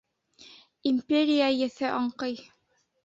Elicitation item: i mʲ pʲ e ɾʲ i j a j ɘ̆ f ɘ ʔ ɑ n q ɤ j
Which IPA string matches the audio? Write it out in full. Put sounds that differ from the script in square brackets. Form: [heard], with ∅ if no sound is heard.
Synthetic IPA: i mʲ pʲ e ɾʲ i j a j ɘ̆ [θ] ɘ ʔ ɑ [ɴ] q ɤ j

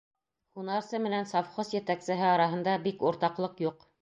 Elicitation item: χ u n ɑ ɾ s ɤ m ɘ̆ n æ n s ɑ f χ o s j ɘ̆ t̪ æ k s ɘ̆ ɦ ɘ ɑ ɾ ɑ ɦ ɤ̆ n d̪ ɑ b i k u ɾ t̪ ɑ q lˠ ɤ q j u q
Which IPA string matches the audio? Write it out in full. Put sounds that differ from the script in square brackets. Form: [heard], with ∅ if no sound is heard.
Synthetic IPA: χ u n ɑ ɾ s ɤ m ɘ̆ n æ n s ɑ f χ o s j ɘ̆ t̪ æ k s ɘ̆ ɦ ɘ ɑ ɾ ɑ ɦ ɤ̆ n d̪ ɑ b i k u ɾ t̪ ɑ q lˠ ɤ q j u q

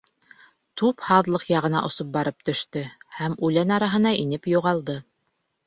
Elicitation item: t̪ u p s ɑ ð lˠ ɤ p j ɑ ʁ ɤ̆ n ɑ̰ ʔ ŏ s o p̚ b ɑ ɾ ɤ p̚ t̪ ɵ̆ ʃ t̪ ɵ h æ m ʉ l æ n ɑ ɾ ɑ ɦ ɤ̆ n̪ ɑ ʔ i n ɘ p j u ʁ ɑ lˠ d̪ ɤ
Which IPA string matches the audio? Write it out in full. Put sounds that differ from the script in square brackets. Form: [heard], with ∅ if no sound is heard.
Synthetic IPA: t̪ u p [h] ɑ ð lˠ ɤ [q] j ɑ ʁ ɤ̆ n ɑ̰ ʔ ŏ s o p̚ b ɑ ɾ ɤ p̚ t̪ ɵ̆ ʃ t̪ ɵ h æ m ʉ l æ n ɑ ɾ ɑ ɦ ɤ̆ n̪ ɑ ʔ i n ɘ p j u ʁ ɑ lˠ d̪ ɤ

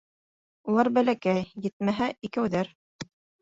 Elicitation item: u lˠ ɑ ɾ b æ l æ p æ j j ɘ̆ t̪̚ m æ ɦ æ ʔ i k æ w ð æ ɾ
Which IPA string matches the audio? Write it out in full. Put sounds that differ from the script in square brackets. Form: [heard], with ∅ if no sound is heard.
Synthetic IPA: u lˠ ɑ ɾ b æ l æ [k] æ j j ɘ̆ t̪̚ m æ ɦ æ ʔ i k æ w ð æ ɾ

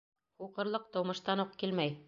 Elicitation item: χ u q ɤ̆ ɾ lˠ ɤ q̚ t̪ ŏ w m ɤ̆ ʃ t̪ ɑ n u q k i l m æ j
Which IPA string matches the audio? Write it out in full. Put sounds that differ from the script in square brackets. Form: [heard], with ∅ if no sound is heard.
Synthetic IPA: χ u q ɤ̆ ɾ lˠ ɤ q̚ t̪ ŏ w m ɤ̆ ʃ t̪ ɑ n u q k i l m æ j

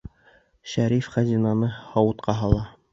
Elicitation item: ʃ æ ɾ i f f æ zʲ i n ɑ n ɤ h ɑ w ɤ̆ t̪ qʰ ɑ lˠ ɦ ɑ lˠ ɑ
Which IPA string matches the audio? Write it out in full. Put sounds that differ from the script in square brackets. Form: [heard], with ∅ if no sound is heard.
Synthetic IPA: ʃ æ ɾ i f [χ] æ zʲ i n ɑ n ɤ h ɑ w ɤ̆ t̪ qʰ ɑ [∅] ɦ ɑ lˠ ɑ

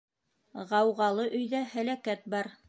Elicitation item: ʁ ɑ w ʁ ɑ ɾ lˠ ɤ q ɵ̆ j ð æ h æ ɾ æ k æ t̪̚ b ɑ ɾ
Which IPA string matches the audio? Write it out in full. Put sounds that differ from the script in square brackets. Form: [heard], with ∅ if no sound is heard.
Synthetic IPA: ʁ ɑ w ʁ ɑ [∅] lˠ ɤ [ʔ] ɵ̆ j ð æ h æ [l] æ k æ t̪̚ b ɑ ɾ

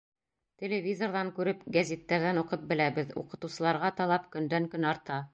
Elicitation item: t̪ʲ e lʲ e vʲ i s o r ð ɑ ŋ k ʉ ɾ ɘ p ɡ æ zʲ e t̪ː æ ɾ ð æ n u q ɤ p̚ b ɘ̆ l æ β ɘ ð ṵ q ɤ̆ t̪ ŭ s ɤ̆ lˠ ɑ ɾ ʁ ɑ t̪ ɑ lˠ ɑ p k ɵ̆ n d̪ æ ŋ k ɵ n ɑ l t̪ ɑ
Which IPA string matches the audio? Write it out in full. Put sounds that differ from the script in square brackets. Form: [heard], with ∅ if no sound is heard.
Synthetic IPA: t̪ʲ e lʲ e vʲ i [z] o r ð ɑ ŋ k ʉ ɾ ɘ p ɡ æ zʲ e t̪ː æ ɾ ð æ n u q ɤ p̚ b ɘ̆ l æ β ɘ ð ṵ q ɤ̆ t̪ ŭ s ɤ̆ lˠ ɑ ɾ ʁ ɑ t̪ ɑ lˠ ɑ p k ɵ̆ n d̪ æ ŋ k ɵ n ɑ [ɾ] t̪ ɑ

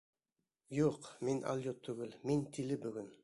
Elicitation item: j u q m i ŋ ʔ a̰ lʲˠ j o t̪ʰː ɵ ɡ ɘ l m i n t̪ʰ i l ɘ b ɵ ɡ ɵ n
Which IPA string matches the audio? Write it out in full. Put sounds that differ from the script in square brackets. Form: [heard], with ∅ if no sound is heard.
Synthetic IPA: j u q m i [n] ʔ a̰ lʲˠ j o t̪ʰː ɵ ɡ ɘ l m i n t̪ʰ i l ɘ b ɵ ɡ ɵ n

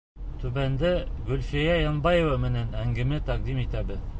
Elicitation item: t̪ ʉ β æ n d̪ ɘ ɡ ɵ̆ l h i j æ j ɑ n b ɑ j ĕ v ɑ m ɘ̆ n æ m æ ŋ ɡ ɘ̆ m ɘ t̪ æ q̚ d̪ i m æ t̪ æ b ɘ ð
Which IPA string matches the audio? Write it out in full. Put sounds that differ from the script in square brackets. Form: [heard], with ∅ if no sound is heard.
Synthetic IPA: t̪ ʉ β æ n d̪ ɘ ɡ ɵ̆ l [f] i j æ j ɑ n b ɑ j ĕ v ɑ m ɘ̆ n æ [n] æ ŋ ɡ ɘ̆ m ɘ t̪ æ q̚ d̪ i m [i] t̪ æ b ɘ ð

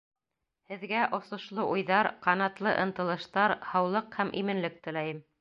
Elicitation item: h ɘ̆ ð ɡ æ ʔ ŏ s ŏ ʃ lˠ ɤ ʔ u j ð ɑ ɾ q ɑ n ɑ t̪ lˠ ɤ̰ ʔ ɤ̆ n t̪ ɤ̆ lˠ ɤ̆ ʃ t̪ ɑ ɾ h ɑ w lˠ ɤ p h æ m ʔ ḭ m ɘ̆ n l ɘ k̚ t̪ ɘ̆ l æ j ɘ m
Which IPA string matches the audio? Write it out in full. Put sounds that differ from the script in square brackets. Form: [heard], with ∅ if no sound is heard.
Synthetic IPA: h ɘ̆ ð ɡ æ ʔ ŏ s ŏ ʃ lˠ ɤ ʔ u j ð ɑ ɾ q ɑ n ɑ t̪ lˠ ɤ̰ ʔ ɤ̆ n t̪ ɤ̆ lˠ ɤ̆ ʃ t̪ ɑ ɾ h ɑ w lˠ ɤ [q] h æ m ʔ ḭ m ɘ̆ n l ɘ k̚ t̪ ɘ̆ l æ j ɘ m

